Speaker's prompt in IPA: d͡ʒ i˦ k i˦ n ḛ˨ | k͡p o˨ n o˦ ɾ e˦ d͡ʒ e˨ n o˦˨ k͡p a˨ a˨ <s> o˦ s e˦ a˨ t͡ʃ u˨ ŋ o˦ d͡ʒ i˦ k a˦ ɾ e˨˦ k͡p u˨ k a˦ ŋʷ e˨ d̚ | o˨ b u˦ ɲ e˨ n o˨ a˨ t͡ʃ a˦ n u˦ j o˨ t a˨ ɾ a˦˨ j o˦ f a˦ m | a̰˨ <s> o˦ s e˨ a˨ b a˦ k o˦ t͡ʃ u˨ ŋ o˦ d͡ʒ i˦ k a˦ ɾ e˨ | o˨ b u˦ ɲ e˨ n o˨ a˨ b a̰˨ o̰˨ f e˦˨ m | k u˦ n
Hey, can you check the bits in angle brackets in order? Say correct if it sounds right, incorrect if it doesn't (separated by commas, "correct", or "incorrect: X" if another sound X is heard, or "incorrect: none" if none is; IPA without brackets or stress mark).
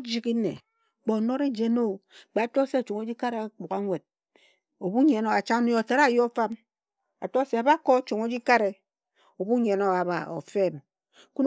incorrect: t, incorrect: t